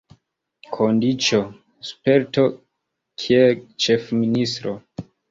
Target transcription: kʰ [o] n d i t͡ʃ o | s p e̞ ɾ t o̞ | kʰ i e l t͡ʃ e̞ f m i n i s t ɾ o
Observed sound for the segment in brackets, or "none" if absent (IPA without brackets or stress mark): o